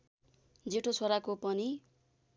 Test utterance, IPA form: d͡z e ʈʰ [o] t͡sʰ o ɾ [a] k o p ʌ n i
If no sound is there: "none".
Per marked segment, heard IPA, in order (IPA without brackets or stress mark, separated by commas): o, a